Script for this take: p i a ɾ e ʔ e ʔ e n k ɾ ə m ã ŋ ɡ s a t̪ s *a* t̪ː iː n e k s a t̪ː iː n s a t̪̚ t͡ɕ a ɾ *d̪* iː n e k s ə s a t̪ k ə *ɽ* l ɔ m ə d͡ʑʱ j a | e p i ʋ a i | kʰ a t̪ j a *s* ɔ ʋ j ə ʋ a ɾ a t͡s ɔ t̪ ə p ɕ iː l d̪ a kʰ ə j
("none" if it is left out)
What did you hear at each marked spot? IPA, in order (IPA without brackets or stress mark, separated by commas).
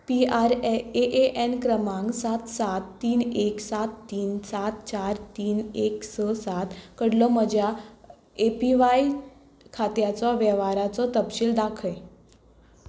a, t̪, ɽ, t͡s